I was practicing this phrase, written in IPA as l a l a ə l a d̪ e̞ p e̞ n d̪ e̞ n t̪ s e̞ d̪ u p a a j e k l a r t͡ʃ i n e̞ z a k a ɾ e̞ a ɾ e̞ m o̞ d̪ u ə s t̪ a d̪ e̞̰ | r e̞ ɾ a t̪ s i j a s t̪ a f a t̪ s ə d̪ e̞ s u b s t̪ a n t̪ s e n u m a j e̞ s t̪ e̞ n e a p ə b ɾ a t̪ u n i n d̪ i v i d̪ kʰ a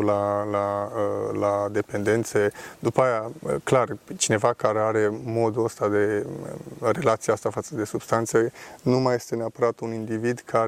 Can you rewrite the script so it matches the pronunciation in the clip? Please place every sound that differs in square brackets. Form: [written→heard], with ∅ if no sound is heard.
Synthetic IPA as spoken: l a l a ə l a d̪ e̞ p e̞ n d̪ e̞ n t̪ s e̞ d̪ u p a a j [e→a] k l a r t͡ʃ i n e̞ [z→v] a k a ɾ e̞ a ɾ e̞ m o̞ d̪ u ə s t̪ a d̪ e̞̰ | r e̞ [ɾ→l] a t̪ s i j a s t̪ a f a t̪ s ə d̪ e̞ s u b s t̪ a n t̪ s e n u m a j e̞ s t̪ e̞ n e a p ə [b→∅] ɾ a t̪ u n i n d̪ i v i d̪ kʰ a